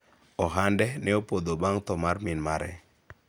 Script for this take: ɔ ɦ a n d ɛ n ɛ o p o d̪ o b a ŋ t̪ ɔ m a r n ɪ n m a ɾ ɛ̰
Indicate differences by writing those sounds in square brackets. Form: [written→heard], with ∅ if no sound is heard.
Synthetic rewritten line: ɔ ɦ a n d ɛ n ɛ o p o d̪ o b a ŋ t̪ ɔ m a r [n→m] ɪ n m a ɾ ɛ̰

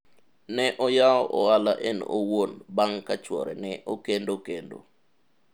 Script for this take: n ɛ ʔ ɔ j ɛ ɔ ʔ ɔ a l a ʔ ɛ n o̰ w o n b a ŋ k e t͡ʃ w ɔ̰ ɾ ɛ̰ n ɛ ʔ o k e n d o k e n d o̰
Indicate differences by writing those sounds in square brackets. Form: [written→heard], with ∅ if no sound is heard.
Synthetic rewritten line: n ɛ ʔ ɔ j [ɛ→a] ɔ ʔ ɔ a l a ʔ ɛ n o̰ w o n b a ŋ k [e→a] t͡ʃ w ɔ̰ ɾ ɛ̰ n ɛ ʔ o k e n d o k e n d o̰

